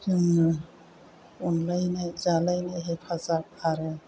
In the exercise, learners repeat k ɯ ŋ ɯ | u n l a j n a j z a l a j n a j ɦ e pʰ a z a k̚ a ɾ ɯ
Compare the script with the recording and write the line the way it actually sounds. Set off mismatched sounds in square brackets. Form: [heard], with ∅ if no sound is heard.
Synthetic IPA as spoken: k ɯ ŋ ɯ | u n l a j n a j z a l a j n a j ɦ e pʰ a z a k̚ a ɾ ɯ